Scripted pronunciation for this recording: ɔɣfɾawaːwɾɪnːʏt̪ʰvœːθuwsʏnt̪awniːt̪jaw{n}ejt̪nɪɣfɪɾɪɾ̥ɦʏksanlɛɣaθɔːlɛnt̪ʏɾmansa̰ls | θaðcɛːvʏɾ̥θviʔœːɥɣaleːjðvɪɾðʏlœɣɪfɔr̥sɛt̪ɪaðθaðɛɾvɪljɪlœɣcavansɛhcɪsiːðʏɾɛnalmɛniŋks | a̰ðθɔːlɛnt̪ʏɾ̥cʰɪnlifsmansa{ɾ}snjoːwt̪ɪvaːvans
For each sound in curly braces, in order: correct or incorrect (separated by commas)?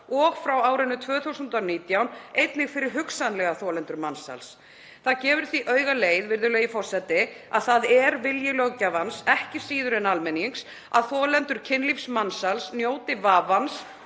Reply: correct, incorrect